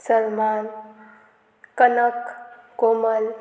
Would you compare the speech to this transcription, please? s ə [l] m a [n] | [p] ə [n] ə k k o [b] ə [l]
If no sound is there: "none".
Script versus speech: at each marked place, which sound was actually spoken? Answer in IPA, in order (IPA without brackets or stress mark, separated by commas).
ɾ, n, k, n, m, l